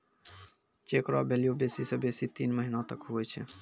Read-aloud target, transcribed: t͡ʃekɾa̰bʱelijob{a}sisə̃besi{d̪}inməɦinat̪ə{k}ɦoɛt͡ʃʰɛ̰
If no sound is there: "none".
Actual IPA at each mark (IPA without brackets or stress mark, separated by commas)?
e, t̪, k